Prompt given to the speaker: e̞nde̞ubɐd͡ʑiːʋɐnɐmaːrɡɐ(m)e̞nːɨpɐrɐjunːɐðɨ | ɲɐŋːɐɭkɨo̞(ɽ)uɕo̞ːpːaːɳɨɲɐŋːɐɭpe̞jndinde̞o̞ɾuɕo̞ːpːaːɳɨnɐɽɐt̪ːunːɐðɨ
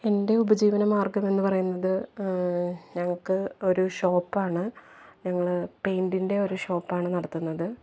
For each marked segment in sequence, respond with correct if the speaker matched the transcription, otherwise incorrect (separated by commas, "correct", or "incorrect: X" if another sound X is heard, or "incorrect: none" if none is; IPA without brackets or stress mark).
correct, incorrect: ɾ